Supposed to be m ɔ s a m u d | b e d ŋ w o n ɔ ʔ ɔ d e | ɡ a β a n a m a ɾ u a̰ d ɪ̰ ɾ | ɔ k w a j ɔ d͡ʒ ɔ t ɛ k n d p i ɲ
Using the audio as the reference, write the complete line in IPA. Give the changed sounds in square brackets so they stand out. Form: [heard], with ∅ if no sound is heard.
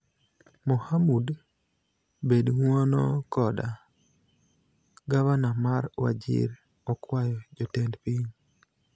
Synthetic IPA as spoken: m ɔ [h] a m u d | b e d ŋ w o n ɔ [k] ɔ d [a] | ɡ a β a n a m a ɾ [w] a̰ [d͡ʒ] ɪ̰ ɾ | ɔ k w a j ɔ d͡ʒ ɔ t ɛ [∅] n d p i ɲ